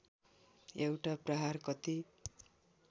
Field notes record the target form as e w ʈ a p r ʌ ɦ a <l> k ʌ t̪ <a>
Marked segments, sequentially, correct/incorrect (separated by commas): incorrect, incorrect